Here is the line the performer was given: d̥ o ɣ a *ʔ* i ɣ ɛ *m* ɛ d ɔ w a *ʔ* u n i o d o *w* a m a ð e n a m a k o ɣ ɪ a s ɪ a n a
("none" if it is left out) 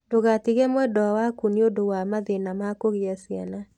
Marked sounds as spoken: t, m, k, w

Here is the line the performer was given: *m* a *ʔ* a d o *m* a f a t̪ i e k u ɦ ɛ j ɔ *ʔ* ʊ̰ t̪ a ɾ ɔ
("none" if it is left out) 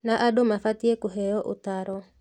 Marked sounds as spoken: n, ʔ, m, ʔ

